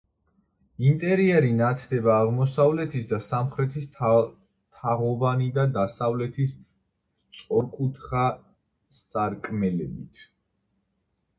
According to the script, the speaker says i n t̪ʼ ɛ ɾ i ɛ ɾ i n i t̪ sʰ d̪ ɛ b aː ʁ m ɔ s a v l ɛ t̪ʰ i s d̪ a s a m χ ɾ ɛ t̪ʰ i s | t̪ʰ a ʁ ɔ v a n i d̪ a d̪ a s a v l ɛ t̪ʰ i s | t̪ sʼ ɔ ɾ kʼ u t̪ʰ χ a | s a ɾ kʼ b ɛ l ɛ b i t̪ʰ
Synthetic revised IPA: i n t̪ʼ ɛ ɾ i ɛ ɾ i n a t̪ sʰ d̪ ɛ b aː ʁ m ɔ s a v l ɛ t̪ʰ i s d̪ a s a m χ ɾ ɛ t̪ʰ i s | t̪ʰ a ʁ ɔ v a n i d̪ a d̪ a s a v l ɛ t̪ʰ i s | t̪ sʼ ɔ ɾ kʼ u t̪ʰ χ a | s a ɾ kʼ m ɛ l ɛ b i t̪ʰ